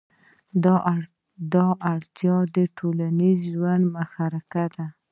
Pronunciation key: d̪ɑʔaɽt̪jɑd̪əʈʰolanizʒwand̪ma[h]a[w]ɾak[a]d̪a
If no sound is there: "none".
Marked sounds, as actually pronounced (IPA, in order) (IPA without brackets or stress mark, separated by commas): x, none, a